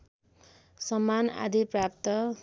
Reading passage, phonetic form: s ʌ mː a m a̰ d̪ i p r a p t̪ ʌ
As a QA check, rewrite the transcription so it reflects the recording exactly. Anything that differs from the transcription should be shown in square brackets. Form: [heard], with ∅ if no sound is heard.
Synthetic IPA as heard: s ʌ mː a [n] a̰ d̪ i p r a p t̪ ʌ